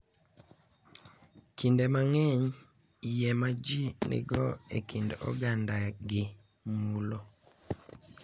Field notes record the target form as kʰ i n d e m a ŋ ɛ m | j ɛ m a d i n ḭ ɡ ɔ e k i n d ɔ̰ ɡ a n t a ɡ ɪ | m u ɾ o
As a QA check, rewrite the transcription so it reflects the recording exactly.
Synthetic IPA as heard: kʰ i n d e m a ŋ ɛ ɲ | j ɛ m a d͡ʒ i n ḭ ɡ ɔ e k i n d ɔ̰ ɡ a n d a ɡ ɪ | m u l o